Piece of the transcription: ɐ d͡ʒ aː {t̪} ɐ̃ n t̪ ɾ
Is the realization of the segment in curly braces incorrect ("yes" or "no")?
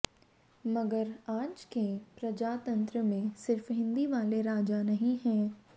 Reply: no